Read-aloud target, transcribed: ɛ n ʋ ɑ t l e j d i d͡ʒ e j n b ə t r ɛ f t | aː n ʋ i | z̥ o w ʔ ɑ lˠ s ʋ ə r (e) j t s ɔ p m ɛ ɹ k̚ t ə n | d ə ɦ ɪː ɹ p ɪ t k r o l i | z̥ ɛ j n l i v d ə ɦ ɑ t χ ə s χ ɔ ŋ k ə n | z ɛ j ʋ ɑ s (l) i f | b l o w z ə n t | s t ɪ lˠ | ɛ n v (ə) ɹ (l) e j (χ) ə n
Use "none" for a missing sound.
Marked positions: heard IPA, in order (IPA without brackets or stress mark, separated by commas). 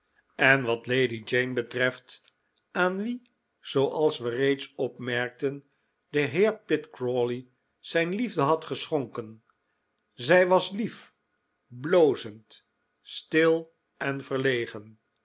e, l, ə, l, χ